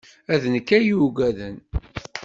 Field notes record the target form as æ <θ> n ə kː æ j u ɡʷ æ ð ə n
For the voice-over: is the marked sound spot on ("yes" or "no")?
no